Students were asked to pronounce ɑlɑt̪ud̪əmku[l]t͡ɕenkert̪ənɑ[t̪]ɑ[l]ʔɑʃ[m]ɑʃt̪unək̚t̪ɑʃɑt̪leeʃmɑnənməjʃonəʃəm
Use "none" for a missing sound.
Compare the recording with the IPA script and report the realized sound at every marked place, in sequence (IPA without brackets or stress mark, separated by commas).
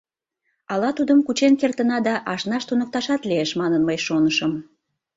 none, d̪, none, n